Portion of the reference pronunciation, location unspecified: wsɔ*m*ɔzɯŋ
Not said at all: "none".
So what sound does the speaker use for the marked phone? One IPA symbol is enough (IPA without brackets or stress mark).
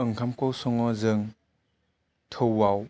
ŋ